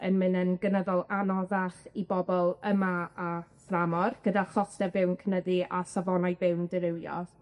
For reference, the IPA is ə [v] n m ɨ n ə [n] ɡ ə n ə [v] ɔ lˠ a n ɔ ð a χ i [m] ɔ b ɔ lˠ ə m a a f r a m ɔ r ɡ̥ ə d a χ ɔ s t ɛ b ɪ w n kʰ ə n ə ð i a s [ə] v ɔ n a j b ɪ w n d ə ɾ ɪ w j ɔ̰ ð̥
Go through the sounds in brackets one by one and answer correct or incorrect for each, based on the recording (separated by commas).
incorrect, correct, incorrect, incorrect, incorrect